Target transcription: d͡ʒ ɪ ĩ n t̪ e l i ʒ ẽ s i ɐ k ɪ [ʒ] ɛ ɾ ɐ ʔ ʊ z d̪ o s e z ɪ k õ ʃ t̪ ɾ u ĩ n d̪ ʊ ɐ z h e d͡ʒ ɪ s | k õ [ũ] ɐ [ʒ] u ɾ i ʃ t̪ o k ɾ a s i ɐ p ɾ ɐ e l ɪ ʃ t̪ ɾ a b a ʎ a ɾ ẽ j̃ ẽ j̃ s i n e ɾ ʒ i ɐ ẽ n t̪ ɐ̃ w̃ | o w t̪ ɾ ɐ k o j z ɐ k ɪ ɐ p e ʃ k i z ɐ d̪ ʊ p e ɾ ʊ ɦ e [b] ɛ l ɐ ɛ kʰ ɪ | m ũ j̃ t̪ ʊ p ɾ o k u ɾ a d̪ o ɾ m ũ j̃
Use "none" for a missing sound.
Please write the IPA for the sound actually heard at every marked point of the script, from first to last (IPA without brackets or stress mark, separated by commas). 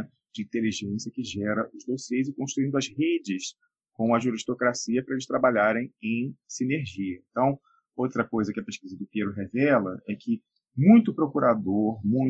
ʒ, w̃, ʒ, v